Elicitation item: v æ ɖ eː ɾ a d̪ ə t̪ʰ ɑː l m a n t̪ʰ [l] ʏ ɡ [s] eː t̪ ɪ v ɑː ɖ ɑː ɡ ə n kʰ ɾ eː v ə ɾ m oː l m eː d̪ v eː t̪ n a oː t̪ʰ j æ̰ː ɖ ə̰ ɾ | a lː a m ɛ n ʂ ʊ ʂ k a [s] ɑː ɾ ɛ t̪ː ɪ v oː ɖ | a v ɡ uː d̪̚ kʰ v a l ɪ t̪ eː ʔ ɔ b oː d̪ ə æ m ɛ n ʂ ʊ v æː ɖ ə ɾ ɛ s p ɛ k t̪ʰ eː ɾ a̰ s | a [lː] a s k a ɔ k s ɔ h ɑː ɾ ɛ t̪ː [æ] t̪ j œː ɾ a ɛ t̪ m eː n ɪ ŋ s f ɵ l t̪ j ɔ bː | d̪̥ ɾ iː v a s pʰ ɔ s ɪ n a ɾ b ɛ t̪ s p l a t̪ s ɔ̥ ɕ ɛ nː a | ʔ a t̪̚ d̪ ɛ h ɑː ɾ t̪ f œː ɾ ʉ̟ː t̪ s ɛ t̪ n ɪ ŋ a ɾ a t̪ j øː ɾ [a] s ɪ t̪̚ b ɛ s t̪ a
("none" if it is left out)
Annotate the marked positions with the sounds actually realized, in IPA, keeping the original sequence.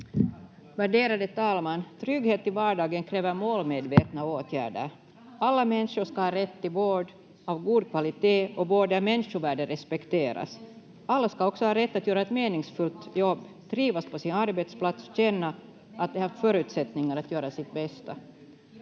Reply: ɾ, h, h, lː, a, a

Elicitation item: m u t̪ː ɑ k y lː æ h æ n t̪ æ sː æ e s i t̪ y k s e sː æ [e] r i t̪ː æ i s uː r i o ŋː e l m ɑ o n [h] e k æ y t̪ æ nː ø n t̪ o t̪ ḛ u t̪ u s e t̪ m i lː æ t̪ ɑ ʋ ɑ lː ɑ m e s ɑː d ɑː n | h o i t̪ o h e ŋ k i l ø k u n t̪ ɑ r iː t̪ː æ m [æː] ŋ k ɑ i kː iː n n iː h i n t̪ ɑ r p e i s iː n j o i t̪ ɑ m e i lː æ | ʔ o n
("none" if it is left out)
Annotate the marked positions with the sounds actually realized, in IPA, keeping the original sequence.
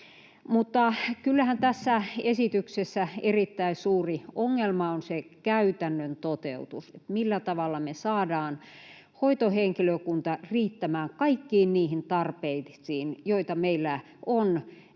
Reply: e, s, æː

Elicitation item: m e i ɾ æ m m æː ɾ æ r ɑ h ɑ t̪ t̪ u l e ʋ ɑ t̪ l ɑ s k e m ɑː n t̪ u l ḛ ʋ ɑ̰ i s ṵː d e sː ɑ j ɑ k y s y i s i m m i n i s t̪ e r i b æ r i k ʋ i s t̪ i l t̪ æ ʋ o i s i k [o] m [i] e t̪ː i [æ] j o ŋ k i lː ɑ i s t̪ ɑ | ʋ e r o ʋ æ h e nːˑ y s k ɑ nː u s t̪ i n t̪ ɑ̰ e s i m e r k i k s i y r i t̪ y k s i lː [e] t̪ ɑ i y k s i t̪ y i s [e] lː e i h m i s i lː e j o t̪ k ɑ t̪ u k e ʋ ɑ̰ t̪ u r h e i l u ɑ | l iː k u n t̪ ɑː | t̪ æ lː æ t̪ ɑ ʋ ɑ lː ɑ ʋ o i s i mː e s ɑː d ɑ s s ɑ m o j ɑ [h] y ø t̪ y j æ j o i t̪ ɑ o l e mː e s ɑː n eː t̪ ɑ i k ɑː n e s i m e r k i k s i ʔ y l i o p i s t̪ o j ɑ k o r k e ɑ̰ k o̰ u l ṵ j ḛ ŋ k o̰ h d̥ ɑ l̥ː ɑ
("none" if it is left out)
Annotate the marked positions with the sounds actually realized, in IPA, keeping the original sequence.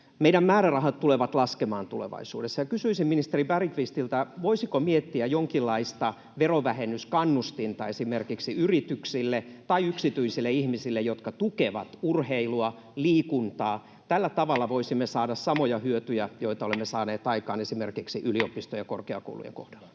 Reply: o, i, æ, e, i, h

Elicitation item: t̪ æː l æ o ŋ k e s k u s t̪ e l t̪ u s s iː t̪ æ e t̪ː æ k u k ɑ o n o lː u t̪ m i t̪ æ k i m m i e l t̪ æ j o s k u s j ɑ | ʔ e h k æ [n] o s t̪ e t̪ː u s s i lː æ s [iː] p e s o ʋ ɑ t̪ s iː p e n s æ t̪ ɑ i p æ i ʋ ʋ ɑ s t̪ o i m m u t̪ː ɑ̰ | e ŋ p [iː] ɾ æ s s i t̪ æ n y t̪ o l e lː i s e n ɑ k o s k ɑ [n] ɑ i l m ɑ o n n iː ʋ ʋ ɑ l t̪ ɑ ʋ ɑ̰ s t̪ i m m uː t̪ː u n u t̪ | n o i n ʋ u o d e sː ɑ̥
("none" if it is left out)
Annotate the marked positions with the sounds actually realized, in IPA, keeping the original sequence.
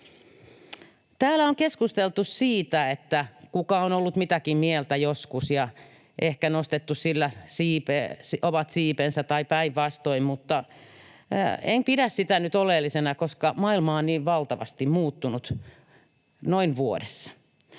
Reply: n, iː, i, m

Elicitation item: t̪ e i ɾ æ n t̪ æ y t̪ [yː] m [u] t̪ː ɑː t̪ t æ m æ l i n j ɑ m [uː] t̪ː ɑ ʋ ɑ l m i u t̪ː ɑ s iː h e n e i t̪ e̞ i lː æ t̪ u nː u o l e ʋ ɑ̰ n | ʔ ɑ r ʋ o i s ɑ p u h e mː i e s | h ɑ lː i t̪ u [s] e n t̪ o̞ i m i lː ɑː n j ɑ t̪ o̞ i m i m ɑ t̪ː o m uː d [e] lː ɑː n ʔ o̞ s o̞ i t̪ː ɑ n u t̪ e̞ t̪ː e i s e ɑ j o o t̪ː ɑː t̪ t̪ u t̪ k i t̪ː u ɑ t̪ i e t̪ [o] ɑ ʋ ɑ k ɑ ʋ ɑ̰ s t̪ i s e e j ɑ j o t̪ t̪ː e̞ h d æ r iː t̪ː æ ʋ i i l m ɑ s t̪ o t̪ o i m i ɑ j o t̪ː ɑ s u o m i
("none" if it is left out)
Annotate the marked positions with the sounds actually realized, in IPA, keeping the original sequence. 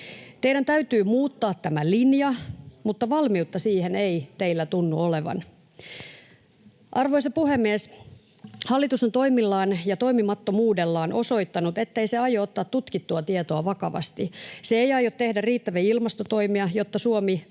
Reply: yː, uː, u, s, e, o

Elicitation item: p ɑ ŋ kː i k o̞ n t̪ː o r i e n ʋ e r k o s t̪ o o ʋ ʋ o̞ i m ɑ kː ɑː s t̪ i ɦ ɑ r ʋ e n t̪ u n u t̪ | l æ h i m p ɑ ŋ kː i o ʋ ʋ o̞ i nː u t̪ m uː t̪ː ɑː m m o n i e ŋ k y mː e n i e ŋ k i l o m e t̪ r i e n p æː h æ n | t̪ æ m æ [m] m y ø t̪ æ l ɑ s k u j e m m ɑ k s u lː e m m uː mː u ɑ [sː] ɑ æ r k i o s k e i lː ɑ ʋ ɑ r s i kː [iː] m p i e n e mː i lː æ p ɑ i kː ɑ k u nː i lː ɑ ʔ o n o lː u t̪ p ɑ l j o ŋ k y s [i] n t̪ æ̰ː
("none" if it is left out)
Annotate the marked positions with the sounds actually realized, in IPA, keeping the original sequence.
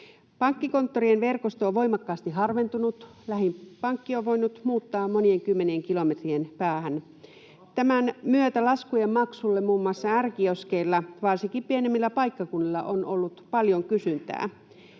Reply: n, sː, i, y

